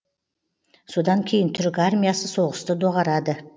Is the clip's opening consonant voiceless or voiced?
voiceless